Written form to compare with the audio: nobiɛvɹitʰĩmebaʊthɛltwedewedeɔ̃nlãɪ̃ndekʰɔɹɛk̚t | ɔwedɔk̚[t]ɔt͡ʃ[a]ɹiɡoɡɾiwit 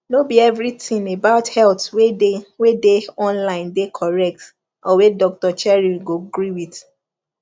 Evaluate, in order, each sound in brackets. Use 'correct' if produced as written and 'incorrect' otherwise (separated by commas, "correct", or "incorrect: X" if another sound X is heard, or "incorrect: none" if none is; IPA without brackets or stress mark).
correct, incorrect: ɛ